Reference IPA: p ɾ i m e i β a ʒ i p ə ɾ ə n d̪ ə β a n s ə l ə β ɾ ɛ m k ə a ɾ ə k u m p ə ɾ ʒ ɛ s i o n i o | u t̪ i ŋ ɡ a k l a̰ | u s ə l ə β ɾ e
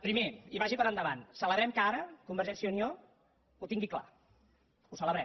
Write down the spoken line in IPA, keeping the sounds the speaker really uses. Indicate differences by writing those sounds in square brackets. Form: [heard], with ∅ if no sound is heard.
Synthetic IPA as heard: p ɾ i m e i β a ʒ i p ə ɾ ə n d̪ ə β a n s ə l ə β ɾ ɛ m k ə a ɾ ə k u m [b] ə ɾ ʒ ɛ s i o n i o | u t̪ i ŋ ɡ [i] k l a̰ | u s ə l ə β ɾ [ɛ]